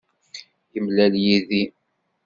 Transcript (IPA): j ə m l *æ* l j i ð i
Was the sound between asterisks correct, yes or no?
yes